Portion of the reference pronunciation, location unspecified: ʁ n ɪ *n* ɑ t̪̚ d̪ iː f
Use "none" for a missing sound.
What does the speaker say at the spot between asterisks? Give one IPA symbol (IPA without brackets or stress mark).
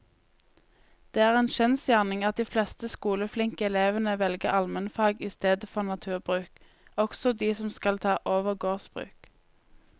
ŋ